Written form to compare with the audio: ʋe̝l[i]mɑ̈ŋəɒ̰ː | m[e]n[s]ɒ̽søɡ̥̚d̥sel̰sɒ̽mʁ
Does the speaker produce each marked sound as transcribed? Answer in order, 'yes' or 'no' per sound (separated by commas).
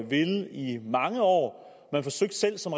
yes, no, no